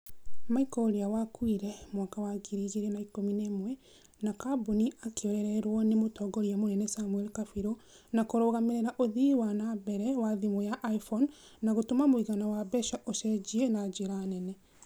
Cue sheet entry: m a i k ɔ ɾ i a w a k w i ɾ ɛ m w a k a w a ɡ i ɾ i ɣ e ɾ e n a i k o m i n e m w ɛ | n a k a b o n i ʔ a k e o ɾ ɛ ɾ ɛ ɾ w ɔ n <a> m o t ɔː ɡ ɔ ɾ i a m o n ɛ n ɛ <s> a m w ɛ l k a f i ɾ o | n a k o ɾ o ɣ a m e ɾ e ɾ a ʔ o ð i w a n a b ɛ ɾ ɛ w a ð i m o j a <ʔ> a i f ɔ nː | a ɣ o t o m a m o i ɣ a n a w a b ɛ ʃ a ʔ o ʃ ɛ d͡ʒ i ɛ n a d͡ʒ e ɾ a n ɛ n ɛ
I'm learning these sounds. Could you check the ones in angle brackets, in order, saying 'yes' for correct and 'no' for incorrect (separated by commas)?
no, yes, yes